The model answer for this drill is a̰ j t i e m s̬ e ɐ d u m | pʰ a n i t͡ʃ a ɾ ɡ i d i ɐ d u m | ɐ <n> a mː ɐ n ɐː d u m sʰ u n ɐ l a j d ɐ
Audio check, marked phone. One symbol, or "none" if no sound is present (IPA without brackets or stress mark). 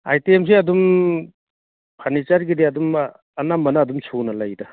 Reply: n